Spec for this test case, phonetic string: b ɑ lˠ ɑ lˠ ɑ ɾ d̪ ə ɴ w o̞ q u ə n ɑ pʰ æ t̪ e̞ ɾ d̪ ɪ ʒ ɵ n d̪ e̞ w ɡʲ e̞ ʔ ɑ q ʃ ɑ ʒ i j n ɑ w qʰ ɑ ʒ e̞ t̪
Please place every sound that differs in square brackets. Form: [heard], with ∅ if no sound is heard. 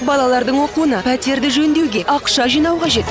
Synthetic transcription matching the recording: b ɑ lˠ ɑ lˠ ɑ ɾ d̪ ə ɴ w o̞ q u ə n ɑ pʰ æ t̪ e̞ ɾ d̪ ɪ ʒ ɵ n d̪ e̞ w ɡʲ e̞ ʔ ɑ q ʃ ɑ ʒ i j n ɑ w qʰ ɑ ʒ e̞ t̪